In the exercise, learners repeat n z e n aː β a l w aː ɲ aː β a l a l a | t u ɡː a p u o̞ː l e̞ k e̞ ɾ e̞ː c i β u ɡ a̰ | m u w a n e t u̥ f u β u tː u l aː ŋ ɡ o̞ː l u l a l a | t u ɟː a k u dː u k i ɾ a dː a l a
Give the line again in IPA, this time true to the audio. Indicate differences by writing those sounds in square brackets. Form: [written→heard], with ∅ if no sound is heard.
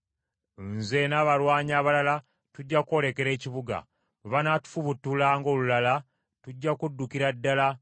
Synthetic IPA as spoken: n z e n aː β a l w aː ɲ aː β a l a l a | t u [ɡː→ɟː] a [p→k] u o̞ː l e̞ k e̞ ɾ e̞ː c i β u ɡ a̰ | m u [w→β] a n [e→a] t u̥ f u β u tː u l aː ŋ ɡ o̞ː l u l a l a | t u ɟː a k u dː u k i ɾ a dː a l a